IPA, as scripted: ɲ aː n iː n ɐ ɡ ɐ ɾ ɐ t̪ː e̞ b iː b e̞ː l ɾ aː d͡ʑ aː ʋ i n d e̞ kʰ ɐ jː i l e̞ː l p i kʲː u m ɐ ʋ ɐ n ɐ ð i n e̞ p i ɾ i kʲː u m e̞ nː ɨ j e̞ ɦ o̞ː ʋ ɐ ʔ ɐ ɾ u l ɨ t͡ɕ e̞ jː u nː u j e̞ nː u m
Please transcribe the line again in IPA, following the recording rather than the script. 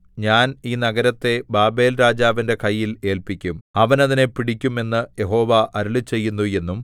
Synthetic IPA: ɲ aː n iː n ɐ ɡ ɐ ɾ ɐ t̪ː e̞ b aː b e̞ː l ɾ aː d͡ʑ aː ʋ i n d e̞ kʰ ɐ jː i l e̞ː l p i kʲː u m ɐ ʋ ɐ n ɐ ð i n e̞ p i ɽ i kʲː u m e̞ nː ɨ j e̞ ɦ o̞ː ʋ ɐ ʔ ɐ ɾ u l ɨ t͡ɕ e̞ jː u nː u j e̞ nː u m